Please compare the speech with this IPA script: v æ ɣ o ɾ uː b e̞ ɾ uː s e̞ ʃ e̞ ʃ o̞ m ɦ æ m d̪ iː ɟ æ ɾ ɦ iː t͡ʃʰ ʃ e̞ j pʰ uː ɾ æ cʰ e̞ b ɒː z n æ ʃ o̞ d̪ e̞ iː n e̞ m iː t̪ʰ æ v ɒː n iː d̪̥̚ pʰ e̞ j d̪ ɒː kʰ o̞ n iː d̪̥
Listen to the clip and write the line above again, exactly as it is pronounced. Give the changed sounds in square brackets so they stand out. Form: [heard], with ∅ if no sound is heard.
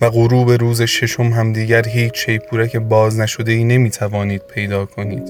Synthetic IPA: v æ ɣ o ɾ uː b e̞ ɾ uː [z] e̞ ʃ e̞ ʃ o̞ m ɦ æ m d̪ iː ɟ æ ɾ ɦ iː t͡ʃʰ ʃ e̞ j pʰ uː ɾ æ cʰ e̞ b ɒː z n æ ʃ o̞ d̪ e̞ iː n e̞ m iː t̪ʰ æ v ɒː n iː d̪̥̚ pʰ e̞ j d̪ ɒː kʰ o̞ n iː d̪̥